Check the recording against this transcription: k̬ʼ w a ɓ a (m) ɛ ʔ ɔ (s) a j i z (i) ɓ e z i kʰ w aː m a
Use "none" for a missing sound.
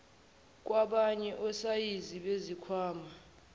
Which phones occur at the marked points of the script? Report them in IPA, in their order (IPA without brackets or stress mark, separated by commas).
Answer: ɲ, s, i